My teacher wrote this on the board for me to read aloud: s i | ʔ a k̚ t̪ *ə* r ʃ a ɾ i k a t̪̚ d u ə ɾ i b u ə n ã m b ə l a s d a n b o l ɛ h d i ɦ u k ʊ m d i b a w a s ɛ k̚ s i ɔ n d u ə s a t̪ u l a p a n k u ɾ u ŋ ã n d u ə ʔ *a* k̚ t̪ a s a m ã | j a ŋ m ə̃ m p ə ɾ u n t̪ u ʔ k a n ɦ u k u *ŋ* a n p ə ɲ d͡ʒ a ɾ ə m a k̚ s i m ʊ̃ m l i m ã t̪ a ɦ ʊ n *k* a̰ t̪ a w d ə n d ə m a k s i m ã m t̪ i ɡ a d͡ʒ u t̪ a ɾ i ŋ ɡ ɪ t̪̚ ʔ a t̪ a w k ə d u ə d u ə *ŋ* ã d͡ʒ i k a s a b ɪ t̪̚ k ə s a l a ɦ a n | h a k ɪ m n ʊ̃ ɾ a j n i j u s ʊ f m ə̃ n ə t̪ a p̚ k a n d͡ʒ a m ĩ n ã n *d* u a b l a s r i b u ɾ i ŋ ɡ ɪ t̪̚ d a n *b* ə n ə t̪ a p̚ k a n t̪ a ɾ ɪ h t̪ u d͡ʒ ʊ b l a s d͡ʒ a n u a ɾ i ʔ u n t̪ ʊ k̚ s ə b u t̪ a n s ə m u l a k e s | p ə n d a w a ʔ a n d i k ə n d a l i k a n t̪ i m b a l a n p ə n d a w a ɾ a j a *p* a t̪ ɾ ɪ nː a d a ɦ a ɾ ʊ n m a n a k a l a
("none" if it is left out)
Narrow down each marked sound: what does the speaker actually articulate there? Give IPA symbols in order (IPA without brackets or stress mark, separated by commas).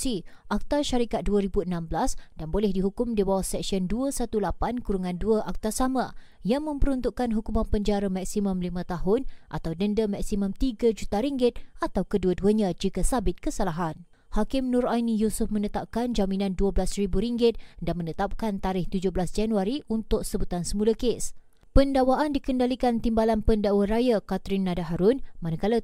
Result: a, a, m, ʔ, ɲ, d, m, k